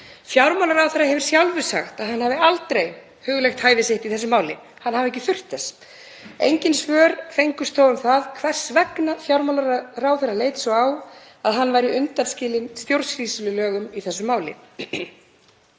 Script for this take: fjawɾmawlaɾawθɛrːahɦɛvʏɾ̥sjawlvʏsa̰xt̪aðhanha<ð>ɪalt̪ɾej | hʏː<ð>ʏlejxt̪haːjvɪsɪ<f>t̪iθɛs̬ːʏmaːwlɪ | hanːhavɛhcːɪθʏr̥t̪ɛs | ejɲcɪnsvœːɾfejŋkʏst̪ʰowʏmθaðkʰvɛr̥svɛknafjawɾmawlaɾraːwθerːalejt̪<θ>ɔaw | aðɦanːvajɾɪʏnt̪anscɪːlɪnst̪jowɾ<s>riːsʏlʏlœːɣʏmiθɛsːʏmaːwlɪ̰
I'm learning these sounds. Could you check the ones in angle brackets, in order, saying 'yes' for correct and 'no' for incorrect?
no, no, no, no, yes

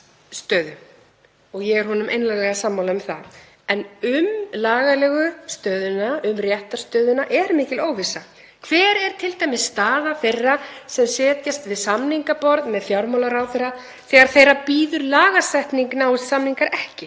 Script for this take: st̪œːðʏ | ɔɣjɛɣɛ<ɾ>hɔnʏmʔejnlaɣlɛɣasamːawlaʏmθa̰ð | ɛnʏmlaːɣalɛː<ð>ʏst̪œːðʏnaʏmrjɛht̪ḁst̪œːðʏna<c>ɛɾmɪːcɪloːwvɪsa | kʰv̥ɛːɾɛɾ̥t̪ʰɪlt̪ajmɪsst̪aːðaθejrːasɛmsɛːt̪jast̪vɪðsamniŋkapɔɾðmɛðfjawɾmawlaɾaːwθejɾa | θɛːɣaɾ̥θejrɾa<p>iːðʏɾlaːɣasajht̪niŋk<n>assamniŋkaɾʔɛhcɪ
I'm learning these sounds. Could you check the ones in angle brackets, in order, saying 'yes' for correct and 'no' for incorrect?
yes, no, no, yes, yes

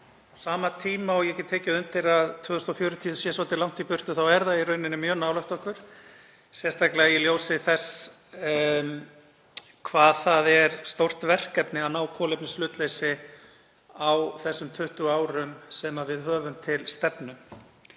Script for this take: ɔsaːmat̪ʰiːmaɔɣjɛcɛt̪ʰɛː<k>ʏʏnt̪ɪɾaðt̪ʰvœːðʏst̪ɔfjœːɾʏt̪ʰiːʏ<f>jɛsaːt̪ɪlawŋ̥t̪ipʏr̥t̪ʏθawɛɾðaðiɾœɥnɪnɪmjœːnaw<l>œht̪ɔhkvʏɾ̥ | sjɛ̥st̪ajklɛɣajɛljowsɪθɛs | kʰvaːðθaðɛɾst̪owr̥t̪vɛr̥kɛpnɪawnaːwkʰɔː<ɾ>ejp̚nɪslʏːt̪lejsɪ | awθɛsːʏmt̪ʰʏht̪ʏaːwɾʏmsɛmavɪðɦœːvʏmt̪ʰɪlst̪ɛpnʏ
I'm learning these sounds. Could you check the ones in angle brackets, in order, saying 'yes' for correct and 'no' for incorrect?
no, no, yes, no

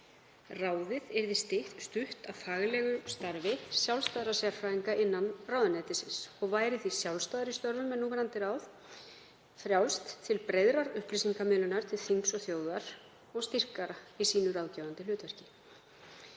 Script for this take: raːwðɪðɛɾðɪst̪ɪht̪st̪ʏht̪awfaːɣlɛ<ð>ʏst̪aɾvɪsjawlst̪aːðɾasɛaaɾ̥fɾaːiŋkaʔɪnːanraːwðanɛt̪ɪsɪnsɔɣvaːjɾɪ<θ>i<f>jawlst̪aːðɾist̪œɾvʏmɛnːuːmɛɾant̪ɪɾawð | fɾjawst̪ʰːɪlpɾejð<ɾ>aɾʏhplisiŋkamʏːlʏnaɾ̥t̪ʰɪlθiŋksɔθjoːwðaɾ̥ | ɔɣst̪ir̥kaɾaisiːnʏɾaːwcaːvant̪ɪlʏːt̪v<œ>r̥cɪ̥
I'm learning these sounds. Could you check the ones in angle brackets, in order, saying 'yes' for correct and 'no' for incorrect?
no, yes, no, yes, no

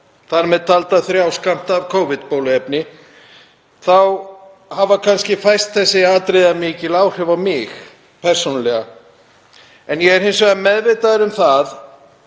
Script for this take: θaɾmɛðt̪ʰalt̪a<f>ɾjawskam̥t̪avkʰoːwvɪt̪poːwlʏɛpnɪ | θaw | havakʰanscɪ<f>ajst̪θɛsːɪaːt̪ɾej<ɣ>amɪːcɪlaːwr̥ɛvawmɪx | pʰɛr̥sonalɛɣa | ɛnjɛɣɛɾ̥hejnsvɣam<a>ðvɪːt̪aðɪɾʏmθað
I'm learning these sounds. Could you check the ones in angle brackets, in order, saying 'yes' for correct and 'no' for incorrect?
no, yes, no, no

